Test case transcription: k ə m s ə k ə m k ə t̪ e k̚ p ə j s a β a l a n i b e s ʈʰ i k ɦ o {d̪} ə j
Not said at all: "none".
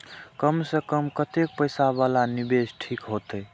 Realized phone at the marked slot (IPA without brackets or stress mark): t̪